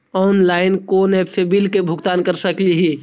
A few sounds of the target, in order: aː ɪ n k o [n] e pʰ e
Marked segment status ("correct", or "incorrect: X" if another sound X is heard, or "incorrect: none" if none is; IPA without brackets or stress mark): correct